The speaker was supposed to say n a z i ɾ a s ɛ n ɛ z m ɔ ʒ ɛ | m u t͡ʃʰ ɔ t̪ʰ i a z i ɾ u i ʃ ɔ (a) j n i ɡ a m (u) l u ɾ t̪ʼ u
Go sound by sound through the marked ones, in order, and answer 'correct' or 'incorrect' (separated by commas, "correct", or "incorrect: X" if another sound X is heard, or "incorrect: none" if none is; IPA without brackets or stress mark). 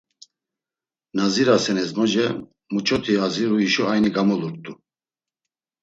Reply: correct, incorrect: ɔ